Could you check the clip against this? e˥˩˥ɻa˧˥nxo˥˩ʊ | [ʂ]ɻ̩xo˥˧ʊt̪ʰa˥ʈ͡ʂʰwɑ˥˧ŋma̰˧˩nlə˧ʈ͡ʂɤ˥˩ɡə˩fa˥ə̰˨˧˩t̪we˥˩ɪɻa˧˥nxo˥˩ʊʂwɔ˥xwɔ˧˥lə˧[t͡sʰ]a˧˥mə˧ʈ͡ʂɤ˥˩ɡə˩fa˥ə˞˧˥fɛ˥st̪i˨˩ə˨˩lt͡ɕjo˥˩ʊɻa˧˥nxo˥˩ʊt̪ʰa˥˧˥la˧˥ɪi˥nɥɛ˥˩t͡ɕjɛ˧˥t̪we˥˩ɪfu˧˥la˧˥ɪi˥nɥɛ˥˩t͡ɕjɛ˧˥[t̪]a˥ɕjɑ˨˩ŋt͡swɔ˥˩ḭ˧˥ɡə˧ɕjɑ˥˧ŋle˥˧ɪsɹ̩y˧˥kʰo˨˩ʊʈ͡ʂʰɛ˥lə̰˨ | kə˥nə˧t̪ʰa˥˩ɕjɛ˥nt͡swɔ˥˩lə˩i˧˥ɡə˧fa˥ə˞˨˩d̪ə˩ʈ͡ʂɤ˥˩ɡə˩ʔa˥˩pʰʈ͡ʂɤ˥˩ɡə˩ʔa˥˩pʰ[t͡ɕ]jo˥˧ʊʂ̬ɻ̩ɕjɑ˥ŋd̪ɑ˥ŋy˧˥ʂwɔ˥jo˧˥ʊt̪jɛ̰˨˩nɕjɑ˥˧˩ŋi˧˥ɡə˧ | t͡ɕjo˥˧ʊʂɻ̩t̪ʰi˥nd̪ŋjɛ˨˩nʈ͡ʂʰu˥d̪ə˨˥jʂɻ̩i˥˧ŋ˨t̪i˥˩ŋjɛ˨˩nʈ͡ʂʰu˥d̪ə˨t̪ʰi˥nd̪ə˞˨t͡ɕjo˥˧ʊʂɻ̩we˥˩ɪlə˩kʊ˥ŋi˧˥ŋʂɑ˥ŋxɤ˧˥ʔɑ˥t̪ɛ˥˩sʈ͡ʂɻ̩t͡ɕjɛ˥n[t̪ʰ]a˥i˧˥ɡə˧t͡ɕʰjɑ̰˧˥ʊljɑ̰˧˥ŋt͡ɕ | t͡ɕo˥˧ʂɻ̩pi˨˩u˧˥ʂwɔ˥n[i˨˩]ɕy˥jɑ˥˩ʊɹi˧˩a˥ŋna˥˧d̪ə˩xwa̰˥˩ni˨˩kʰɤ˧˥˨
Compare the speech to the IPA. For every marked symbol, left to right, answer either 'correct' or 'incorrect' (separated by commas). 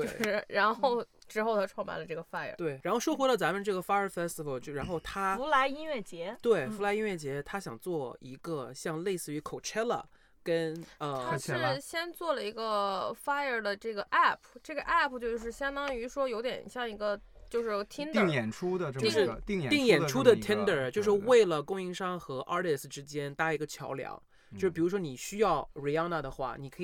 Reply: incorrect, incorrect, incorrect, correct, incorrect, correct